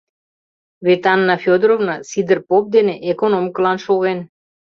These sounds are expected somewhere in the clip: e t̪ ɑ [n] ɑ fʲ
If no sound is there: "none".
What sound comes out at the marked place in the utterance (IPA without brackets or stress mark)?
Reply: nː